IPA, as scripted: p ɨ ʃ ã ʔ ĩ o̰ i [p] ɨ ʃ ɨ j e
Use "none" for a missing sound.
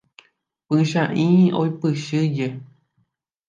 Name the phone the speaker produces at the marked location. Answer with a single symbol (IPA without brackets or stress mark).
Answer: p